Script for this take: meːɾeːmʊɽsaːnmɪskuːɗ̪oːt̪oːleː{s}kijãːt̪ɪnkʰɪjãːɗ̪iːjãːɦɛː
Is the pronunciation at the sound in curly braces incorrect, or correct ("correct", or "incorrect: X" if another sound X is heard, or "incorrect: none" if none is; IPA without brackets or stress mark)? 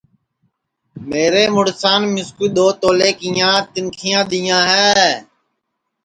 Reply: incorrect: none